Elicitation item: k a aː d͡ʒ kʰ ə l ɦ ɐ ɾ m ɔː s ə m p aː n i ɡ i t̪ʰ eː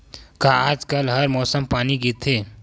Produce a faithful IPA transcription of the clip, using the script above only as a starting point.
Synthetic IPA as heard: k a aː d͡ʒ k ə l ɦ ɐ ɾ m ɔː s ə m p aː n i ɡ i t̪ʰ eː

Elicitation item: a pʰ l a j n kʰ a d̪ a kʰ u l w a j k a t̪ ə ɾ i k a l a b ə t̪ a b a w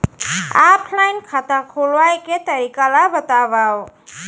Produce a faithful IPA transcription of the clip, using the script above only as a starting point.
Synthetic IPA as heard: a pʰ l a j n kʰ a t̪ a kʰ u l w a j k e t̪ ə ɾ i k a l a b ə t̪ a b a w

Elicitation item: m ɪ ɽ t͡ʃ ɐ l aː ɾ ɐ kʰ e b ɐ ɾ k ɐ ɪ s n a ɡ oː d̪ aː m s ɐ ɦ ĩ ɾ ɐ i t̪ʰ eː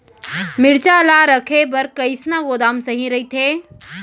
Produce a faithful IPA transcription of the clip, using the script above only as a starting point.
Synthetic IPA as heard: m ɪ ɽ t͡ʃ a l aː ɾ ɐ kʰ e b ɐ ɾ k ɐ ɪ s n a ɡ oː d̪ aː m s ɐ ɦ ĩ ɾ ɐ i t̪ʰ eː

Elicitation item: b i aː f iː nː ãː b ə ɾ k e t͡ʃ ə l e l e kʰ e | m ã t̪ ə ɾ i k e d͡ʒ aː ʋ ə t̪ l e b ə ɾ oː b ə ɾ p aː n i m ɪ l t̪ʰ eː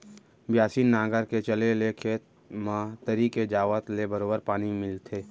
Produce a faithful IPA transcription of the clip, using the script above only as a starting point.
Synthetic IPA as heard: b j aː s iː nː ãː ɡ ə ɾ k e t͡ʃ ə l e l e kʰ e | m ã t̪ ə ɾ i k e d͡ʒ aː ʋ ə t̪ l e b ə ɾ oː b ə ɾ p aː n i m ɪ l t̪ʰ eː

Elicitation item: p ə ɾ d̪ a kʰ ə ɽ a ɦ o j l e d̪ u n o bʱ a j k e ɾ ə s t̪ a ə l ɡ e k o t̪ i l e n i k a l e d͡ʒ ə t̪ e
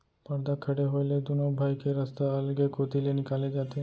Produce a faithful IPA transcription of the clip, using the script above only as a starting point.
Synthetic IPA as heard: p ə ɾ d̪ a kʰ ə ɽ e ɦ o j l e d̪ u n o bʱ a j k e ɾ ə s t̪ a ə l ɡ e k o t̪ i l e n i k a l e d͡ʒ a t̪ e

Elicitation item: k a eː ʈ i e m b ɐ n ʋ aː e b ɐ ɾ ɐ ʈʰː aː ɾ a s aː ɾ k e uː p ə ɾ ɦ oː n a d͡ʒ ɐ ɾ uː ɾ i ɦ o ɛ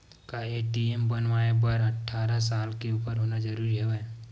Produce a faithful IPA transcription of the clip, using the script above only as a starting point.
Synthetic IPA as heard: k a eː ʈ i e m b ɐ n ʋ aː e b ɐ ɾ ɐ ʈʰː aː ɾ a s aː l k e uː p ə ɾ ɦ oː n a d͡ʒ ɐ ɾ uː ɾ i ɦ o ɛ

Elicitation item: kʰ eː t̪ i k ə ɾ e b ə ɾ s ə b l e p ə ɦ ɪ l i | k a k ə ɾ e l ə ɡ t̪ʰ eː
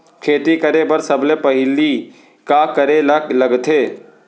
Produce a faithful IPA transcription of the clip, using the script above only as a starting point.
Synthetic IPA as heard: kʰ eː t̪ i k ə ɾ e b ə ɾ s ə b l e p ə ɦ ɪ l i | k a k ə ɾ e l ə ɡ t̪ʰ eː

